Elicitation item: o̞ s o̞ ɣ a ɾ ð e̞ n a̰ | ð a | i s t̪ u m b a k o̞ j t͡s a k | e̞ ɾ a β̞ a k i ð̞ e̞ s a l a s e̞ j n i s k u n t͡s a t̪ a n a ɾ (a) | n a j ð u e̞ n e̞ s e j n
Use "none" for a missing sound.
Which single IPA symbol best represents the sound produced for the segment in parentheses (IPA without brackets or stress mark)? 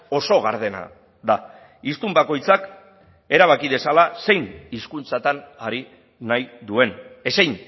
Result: i